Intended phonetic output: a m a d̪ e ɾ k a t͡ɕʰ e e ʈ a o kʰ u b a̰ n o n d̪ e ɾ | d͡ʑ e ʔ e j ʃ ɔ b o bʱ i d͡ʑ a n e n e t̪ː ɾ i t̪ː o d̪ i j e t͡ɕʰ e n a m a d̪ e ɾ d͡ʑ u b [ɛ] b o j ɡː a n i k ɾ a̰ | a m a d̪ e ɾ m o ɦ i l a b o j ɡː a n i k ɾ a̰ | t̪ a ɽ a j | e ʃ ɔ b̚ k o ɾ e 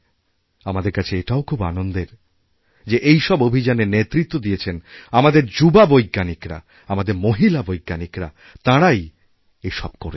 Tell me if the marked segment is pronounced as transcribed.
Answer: no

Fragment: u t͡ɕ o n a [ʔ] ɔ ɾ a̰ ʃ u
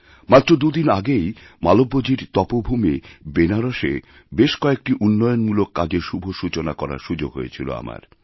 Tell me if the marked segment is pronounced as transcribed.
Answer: no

